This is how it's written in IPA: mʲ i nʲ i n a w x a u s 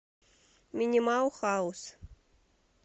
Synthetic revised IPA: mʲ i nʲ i m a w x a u s